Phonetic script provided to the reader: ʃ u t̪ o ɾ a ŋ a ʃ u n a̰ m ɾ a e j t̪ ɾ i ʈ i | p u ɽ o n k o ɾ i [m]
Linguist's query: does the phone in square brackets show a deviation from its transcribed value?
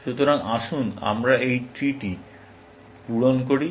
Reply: yes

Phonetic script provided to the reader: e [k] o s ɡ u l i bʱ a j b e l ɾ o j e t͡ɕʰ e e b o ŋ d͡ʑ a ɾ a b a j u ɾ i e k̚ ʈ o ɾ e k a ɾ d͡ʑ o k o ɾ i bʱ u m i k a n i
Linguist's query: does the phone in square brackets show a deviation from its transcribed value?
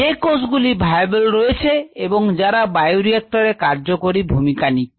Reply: no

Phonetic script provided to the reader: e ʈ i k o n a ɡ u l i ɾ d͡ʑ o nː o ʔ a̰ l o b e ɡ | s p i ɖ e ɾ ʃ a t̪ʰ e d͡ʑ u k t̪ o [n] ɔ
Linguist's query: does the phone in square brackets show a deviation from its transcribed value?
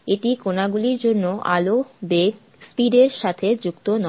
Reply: no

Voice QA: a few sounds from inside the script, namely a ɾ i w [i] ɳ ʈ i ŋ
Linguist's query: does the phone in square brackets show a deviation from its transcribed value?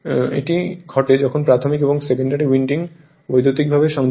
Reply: no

